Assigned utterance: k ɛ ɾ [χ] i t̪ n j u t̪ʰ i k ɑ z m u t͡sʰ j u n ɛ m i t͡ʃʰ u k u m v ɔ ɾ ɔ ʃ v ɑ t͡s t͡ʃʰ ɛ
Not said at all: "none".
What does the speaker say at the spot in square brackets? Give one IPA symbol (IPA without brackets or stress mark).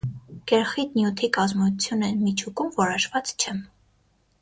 χ